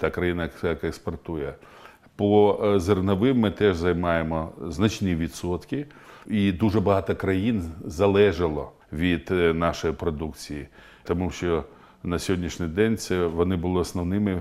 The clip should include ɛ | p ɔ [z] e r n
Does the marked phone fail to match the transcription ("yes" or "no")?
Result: no